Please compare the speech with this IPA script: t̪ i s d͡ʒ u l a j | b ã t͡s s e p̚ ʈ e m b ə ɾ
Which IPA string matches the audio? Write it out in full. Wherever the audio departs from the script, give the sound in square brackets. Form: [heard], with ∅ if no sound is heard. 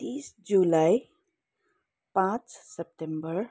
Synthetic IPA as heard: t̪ i s d͡ʒ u l a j | [p] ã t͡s s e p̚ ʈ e m b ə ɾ